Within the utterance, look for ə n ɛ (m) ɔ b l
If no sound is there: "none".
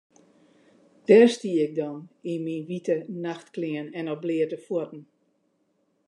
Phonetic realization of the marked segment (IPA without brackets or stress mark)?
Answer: n